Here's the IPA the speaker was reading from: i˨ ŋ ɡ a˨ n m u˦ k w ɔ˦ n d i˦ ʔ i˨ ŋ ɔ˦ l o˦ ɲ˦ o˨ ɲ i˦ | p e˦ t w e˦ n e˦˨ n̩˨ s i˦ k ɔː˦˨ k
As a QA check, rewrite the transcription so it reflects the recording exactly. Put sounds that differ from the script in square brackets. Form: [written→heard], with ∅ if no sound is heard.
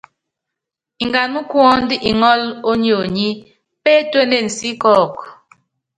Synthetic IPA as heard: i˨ ŋ ɡ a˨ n m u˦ k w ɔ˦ n d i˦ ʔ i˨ ŋ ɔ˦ l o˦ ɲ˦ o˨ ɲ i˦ | p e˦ t w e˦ n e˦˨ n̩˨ s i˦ k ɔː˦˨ k